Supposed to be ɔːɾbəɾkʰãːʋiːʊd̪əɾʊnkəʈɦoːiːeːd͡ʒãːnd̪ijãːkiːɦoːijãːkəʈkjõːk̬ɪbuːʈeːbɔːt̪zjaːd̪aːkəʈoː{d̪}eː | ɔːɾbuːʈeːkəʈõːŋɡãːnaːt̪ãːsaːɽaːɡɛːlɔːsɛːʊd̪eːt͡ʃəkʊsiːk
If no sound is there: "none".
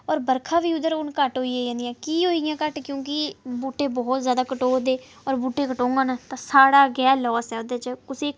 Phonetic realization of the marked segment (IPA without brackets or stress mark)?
d̪